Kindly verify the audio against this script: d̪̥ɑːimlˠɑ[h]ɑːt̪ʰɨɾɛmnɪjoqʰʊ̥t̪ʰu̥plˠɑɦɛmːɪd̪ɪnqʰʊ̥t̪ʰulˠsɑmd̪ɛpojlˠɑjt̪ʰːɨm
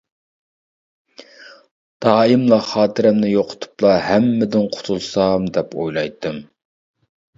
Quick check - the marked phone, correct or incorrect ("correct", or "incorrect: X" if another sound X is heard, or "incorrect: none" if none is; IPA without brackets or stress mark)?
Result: incorrect: χ